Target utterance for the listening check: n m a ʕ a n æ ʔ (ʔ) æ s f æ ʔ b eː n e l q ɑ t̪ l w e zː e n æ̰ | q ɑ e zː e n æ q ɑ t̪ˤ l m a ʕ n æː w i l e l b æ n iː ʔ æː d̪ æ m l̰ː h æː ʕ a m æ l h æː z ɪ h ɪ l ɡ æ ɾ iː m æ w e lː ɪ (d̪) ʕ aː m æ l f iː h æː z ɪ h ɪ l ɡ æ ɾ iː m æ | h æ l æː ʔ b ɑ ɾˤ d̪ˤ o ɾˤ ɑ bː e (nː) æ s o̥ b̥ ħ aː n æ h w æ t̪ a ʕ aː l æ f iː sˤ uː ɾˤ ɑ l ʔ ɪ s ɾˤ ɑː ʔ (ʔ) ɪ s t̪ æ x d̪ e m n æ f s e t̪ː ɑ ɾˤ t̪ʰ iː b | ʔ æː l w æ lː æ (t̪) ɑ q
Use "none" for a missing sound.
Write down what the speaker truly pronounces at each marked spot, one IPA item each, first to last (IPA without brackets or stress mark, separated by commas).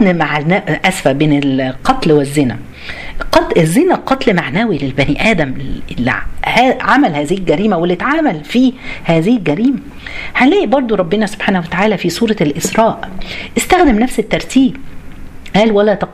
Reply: ʔ, t̪, n, ʔ, t̪